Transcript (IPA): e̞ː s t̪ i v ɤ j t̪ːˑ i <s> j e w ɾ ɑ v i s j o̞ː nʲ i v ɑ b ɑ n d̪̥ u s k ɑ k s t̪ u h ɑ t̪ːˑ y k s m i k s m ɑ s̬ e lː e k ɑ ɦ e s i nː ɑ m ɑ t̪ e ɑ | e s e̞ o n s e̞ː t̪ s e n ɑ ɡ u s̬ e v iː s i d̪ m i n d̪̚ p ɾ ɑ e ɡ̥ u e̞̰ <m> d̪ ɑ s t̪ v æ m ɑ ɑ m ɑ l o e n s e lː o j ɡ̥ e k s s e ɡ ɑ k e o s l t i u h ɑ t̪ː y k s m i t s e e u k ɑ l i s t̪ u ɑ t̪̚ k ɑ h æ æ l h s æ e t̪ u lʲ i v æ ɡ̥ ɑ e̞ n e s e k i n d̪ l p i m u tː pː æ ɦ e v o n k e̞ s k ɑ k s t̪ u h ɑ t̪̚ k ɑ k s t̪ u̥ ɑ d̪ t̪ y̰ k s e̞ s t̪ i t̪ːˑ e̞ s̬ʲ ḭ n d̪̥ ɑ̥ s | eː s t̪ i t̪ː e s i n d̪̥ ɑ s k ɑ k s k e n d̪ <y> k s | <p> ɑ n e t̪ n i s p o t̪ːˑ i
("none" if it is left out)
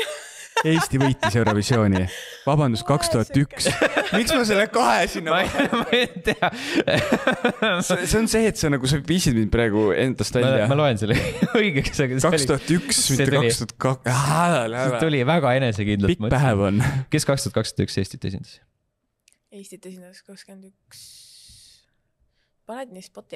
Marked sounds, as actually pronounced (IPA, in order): s, n, y, p

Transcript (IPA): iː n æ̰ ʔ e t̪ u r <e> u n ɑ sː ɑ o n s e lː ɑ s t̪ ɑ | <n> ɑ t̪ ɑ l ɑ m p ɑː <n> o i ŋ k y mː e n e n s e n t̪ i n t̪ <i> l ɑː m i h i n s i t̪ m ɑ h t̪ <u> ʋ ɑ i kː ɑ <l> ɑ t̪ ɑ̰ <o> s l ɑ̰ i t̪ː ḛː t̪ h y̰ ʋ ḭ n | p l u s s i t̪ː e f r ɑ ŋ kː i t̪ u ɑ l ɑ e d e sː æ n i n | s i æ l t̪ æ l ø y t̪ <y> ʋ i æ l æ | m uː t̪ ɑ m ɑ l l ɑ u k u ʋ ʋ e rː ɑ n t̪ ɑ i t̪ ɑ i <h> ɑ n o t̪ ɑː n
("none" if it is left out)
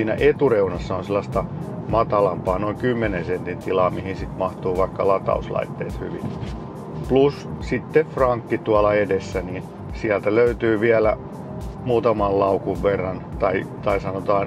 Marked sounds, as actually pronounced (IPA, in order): e, m, n, i, uː, l, u, yː, s

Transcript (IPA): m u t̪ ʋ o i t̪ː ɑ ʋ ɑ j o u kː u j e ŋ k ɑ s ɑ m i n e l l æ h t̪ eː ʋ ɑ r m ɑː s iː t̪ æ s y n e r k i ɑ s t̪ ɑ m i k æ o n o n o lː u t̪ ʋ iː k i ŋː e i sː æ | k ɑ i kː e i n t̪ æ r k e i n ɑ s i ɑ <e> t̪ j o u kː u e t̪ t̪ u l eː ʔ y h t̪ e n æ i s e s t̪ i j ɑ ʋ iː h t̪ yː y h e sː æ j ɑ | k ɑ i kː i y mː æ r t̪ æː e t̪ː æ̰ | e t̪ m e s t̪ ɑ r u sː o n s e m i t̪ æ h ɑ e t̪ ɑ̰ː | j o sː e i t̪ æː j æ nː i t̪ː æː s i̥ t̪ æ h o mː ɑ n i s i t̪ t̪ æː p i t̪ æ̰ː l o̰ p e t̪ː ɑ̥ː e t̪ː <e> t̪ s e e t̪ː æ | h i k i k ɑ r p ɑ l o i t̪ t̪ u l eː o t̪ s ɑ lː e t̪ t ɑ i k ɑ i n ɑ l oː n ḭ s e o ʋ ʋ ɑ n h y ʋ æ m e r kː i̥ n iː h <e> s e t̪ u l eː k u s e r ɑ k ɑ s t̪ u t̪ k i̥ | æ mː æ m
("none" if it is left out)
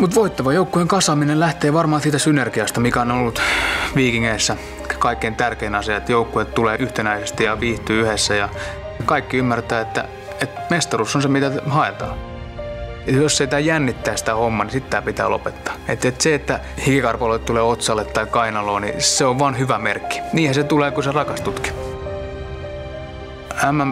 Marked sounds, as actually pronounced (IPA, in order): e, e, æ

